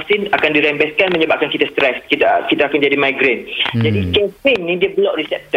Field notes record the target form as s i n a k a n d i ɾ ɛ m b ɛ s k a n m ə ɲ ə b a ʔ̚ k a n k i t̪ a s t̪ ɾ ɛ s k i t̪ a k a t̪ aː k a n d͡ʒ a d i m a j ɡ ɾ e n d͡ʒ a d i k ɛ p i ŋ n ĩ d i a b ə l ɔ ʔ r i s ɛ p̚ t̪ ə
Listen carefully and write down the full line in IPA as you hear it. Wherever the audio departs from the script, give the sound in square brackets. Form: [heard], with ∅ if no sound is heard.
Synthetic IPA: s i n a k a n d i ɾ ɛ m b ɛ s k a n m ə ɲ ə b a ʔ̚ k a n k i t̪ a s t̪ ɾ ɛ s k i t̪ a k [i] t̪ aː k a n d͡ʒ a d i m a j ɡ ɾ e n d͡ʒ a d i k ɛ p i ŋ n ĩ d i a b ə l ɔ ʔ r i s ɛ p̚ t̪ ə